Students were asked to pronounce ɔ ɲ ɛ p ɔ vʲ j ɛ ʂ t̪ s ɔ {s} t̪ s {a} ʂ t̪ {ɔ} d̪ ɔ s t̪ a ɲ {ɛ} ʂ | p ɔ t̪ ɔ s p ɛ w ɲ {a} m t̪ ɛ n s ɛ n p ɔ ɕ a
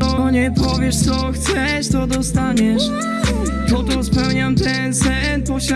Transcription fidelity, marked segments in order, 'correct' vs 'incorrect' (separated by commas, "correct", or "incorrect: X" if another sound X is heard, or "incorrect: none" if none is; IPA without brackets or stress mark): incorrect: x, incorrect: ɛ, correct, correct, correct